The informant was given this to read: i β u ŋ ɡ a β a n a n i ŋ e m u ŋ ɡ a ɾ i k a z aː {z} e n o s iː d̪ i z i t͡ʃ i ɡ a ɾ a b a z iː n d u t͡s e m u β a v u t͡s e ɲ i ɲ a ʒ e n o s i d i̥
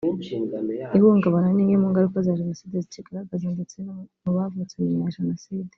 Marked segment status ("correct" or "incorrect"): incorrect